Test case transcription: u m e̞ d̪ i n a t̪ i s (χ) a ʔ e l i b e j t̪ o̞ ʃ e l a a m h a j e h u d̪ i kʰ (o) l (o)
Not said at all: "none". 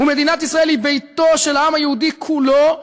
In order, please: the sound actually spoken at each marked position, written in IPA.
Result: ʁ, u, o

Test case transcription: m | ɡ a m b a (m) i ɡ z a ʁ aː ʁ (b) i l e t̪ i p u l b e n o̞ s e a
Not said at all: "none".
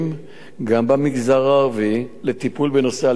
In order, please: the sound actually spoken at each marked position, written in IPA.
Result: m, v

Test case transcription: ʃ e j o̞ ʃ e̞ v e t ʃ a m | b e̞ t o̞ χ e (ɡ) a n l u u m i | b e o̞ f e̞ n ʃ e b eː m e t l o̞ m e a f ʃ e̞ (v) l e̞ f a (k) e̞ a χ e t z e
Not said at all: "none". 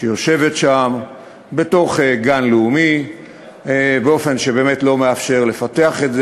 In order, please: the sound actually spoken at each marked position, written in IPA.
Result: ɡ, ʁ, t

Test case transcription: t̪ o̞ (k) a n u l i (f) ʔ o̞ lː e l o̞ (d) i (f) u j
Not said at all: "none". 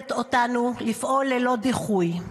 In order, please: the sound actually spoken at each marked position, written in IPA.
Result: t, f, d, χ

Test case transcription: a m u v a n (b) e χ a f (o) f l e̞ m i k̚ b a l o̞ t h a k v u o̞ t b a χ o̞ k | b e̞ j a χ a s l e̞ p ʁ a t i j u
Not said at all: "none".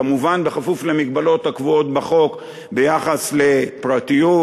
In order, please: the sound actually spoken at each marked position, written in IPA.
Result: b, u

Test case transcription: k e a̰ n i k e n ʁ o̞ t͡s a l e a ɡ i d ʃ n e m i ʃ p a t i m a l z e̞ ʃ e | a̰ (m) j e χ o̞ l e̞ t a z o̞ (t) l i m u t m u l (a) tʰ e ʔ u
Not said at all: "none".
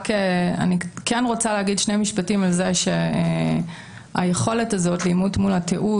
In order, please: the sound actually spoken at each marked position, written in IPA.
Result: none, t, a

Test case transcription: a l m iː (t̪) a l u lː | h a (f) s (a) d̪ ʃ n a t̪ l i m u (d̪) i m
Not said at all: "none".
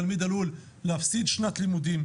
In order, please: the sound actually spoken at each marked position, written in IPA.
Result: d̪, f, i, d̪

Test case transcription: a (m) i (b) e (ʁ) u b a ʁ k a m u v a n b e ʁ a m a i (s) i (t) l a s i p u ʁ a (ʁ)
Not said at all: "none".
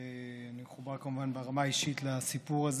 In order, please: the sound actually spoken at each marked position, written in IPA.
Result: n, m, χ, ʃ, t, z

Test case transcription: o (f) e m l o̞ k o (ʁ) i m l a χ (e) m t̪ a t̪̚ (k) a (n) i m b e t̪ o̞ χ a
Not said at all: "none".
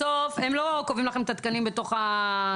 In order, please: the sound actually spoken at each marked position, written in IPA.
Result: f, v, e, k, n

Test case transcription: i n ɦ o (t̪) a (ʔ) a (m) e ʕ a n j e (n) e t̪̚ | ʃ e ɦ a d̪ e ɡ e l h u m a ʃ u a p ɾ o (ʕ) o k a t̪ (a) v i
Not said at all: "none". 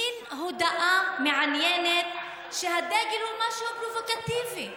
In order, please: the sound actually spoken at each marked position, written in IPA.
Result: d̪, ʔ, m, n, v, i

